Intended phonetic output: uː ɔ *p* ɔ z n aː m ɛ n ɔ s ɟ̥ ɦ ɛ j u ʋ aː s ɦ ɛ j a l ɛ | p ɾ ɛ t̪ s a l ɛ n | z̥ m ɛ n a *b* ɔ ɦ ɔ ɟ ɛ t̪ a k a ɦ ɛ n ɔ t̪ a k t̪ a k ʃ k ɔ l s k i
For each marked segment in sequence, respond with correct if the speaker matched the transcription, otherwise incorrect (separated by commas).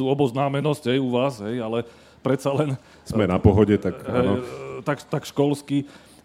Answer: incorrect, incorrect